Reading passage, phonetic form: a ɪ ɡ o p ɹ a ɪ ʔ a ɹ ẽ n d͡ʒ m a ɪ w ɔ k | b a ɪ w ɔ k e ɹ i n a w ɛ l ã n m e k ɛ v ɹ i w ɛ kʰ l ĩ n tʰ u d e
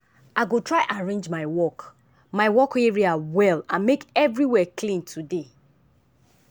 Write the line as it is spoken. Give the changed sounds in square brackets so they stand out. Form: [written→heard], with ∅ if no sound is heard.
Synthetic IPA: a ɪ ɡ o [p→t] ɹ a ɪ ʔ a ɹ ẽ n d͡ʒ m a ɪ w ɔ k | [b→m] a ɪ w ɔ k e ɹ i [n→∅] a w ɛ l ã n m e k ɛ v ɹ i w ɛ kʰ l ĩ n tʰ u d e